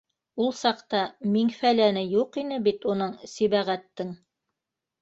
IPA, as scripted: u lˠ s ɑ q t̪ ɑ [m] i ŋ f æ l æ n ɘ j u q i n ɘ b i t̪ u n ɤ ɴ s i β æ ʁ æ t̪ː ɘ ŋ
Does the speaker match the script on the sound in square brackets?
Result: yes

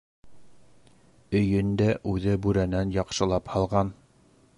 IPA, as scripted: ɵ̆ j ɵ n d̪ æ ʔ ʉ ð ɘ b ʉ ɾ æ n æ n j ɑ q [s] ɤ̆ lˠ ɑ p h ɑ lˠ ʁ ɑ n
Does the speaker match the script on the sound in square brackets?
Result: no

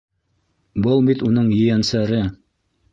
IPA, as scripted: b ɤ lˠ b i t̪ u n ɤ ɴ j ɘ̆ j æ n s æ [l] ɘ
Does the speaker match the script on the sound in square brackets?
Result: no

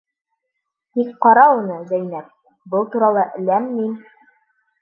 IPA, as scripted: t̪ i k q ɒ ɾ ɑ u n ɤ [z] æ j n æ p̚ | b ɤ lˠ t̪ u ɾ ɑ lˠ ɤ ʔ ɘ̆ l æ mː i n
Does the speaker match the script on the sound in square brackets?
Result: yes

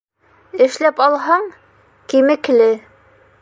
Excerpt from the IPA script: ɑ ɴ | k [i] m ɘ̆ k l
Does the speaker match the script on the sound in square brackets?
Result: yes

